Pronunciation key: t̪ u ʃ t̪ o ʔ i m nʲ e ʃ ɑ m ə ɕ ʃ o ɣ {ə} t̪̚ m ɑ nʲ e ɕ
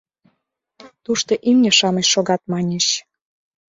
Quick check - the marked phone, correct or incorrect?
incorrect